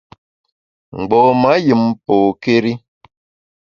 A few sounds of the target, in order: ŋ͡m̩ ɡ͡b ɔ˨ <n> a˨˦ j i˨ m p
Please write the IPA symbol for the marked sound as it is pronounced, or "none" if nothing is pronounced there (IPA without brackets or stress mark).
m